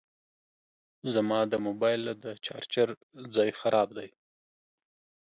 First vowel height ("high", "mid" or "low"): low